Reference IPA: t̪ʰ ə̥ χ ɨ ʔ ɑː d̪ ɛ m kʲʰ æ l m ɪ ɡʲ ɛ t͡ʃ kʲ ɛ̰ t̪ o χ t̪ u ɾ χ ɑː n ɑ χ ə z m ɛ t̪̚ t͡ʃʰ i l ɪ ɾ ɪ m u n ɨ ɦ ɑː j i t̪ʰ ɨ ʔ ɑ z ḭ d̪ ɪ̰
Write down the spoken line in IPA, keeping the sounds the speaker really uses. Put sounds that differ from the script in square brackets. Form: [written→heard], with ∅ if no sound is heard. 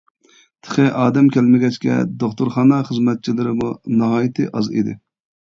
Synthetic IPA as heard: t̪ʰ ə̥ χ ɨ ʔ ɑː d̪ ɛ m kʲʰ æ l m ɪ ɡʲ ɛ t͡ʃ kʲ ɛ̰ [t̪→d̪] o χ t̪ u ɾ χ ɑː n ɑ χ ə z m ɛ t̪̚ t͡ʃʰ i l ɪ ɾ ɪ m u n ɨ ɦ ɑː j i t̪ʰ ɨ ʔ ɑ z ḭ d̪ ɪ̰